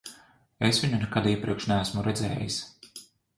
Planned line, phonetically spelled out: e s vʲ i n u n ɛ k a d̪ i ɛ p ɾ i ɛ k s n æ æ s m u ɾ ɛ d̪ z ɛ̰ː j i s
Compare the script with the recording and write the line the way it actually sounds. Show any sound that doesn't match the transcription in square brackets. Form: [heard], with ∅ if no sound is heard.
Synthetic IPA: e s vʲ i [ɲ] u n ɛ k a d̪ i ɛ p ɾ i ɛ k [ʃ] n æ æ s m u ɾ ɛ d̪ z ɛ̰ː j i s